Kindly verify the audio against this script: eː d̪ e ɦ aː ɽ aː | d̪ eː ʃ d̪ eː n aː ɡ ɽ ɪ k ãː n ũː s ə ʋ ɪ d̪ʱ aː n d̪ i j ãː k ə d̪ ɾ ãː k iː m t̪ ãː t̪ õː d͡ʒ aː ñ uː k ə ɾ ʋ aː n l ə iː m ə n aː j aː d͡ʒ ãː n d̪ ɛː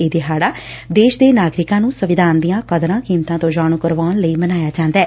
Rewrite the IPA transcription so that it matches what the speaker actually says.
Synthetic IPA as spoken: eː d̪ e ɦ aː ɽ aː | d̪ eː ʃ d̪ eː n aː ɡ ɾ ɪ k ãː n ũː s ə ʋ ɪ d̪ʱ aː n d̪ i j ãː k ə d̪ ɾ ãː k iː m t̪ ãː t̪ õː d͡ʒ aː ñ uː k ə ɾ ʋ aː n l ə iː m ə n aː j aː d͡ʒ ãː n d̪ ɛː